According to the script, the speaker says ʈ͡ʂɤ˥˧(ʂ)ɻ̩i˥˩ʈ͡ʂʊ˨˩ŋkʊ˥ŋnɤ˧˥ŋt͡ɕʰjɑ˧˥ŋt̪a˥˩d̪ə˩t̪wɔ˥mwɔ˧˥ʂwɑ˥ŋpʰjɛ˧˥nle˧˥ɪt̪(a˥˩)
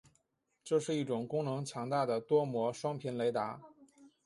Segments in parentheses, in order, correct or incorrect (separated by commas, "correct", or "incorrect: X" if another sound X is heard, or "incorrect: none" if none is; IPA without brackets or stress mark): correct, incorrect: a˧˥